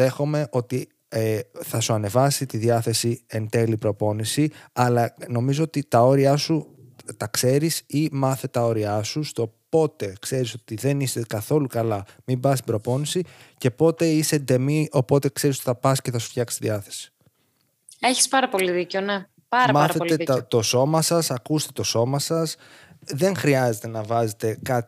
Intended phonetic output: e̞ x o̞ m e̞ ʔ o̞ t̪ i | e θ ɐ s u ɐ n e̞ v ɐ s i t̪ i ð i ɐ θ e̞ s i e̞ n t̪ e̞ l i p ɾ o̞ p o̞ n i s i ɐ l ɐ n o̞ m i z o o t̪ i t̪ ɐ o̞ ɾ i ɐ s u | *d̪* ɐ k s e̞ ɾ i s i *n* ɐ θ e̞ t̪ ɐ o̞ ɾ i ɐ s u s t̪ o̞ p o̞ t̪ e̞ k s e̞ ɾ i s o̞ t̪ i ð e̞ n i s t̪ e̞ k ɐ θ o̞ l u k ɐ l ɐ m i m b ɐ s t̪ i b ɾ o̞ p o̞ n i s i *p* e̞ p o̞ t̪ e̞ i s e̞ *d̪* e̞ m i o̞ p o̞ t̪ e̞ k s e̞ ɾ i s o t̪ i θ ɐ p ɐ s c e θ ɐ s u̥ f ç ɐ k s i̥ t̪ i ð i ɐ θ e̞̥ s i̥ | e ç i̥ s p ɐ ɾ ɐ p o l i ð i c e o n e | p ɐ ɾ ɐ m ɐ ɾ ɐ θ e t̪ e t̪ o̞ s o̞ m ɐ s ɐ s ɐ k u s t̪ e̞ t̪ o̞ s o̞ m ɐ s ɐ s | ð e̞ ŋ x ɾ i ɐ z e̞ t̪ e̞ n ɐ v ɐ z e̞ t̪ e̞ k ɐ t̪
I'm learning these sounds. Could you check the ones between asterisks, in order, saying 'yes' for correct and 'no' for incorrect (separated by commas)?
no, no, no, yes